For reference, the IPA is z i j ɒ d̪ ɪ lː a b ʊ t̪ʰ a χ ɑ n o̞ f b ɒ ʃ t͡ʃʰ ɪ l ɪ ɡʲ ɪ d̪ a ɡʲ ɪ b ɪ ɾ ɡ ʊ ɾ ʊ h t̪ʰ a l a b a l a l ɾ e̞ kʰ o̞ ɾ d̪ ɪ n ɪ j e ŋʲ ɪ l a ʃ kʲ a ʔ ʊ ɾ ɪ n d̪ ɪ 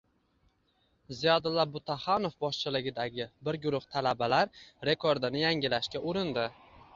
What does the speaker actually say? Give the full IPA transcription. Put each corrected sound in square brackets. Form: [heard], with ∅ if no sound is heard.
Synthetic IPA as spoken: z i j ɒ d̪ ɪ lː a b ʊ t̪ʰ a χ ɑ n o̞ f b ɒ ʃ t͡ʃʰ ɪ l ɪ ɡʲ ɪ d̪ a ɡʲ ɪ b ɪ ɾ ɡ ʊ ɾ ʊ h t̪ʰ a l a b a l a [ɾ] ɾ e̞ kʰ o̞ ɾ d̪ ɪ n ɪ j [a] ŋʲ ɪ l a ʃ kʲ a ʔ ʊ ɾ ɪ n d̪ ɪ